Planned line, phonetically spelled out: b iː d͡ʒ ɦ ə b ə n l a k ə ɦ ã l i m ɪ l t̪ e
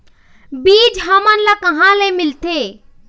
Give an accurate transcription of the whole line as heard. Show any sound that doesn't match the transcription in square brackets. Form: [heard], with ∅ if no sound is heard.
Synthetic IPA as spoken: b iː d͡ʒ ɦ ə [m] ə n l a k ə ɦ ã l [e] m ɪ l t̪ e

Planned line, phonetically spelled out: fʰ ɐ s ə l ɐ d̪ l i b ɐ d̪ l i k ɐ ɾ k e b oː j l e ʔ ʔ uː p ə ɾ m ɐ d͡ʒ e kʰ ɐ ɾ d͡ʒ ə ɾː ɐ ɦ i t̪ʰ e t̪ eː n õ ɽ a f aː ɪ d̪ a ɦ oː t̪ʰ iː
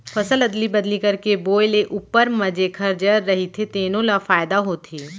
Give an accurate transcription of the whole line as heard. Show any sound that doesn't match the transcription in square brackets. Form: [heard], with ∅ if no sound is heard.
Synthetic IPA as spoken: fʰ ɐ s ə l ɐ d̪ l i b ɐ d̪ l i k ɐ ɾ k e b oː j l e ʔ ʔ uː p ə ɾ m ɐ d͡ʒ e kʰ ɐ ɾ d͡ʒ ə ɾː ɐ ɦ i t̪ʰ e t̪ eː n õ [l] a f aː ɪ d̪ a ɦ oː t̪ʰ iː

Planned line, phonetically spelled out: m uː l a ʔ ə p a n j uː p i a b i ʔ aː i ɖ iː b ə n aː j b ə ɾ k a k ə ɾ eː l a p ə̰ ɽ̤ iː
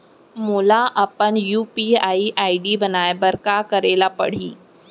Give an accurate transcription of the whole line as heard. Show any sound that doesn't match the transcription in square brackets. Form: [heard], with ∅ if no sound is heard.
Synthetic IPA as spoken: m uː l a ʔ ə p [ə] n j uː p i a [∅] i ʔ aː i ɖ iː b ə n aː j b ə ɾ k a k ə ɾ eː l a p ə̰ ɽ̤ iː

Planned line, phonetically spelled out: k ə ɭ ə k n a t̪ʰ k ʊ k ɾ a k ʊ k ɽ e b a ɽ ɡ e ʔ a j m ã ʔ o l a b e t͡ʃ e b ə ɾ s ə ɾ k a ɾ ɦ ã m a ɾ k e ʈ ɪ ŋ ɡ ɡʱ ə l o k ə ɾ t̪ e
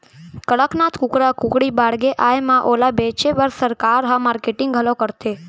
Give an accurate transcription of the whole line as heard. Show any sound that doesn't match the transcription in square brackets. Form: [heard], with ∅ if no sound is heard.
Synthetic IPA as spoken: k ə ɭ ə k n a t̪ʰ k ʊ k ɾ a k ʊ k ɽ [i] b a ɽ ɡ e ʔ a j m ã ʔ o l a b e t͡ʃ e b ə ɾ s ə ɾ k a ɾ ɦ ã m a ɾ k e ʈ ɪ ŋ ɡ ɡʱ ə l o k ə ɾ t̪ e

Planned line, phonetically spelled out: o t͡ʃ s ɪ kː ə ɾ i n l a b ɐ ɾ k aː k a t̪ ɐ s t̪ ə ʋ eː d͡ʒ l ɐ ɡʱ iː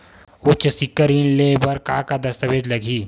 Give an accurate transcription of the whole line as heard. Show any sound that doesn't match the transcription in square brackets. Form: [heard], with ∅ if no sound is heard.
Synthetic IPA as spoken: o t͡ʃ s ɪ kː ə ɾ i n l [e] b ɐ ɾ k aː k a [d̪] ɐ s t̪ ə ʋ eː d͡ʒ l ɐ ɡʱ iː

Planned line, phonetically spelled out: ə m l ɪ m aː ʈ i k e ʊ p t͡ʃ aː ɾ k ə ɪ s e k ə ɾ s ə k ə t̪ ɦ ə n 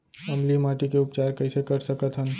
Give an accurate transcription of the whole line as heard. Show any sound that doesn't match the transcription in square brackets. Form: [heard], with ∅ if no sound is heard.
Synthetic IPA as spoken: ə m l [i] m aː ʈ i k e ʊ p t͡ʃ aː ɾ k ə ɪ s e k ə ɾ s ə k ə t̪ ɦ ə n

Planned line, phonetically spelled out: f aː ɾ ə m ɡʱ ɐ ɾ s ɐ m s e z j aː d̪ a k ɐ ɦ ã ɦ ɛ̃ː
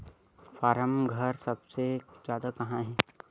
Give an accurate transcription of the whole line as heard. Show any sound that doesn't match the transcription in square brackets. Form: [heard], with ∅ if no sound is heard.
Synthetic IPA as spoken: f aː ɾ ə m ɡʱ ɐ ɾ s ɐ [b] s e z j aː d̪ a k ɐ ɦ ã ɦ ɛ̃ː

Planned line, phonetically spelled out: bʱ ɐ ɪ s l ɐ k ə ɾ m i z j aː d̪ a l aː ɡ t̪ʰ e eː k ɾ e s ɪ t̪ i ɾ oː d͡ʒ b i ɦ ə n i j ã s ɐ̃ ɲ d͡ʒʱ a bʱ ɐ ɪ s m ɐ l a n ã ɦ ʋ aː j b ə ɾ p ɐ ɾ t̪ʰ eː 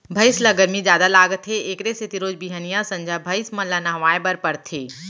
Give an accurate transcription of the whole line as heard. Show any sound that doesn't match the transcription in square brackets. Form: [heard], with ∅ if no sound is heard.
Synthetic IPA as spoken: bʱ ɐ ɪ s l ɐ [ɡ] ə ɾ m i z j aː d̪ a l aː ɡ t̪ʰ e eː k ɾ e s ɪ t̪ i ɾ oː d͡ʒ b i ɦ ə n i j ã s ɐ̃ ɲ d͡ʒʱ a bʱ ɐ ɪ s m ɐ l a n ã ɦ ʋ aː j b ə ɾ p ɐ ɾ t̪ʰ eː

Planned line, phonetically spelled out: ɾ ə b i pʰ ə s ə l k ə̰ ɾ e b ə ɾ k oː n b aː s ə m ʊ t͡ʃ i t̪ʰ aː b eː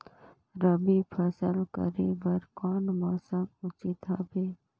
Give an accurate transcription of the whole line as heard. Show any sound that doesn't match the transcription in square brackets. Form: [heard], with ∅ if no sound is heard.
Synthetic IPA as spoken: ɾ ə b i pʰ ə s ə l k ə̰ ɾ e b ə ɾ k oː n [m] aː s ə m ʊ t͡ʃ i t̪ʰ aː b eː

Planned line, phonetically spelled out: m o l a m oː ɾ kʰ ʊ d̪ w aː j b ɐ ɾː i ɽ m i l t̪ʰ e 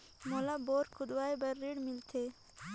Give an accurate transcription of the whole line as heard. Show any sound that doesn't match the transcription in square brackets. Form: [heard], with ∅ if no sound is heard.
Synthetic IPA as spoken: m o l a [b] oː ɾ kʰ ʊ d̪ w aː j b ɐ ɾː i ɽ m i l t̪ʰ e

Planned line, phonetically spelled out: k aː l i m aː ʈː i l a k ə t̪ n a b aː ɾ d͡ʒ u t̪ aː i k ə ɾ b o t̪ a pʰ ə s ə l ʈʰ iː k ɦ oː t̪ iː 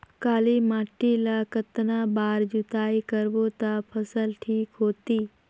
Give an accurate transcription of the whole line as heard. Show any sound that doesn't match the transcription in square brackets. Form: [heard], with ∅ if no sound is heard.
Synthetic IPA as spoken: k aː l i m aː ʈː i l a k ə t̪ n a b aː ɾ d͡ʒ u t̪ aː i k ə ɾ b o t̪ a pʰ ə s ə l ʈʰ iː k ɦ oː t̪ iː

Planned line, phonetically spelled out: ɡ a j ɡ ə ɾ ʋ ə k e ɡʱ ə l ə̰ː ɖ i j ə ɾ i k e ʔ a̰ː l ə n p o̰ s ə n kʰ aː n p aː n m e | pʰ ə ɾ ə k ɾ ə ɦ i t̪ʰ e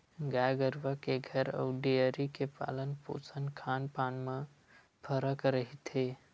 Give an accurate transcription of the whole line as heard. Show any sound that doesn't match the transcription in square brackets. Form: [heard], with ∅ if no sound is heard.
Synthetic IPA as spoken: ɡ a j ɡ ə ɾ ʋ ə k e ɡʱ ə [ɾ] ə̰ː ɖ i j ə ɾ i k e [p] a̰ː l ə n p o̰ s ə n kʰ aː n p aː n m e | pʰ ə ɾ ə k ɾ ə ɦ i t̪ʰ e

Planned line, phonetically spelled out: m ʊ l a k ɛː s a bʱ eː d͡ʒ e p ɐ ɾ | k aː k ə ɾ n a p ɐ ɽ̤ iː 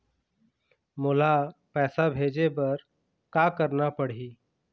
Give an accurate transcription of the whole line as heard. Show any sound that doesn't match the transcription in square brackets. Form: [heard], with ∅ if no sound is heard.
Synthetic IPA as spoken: m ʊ l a [p] ɛː s a bʱ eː d͡ʒ e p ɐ ɾ | k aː k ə ɾ n a p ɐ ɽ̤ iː

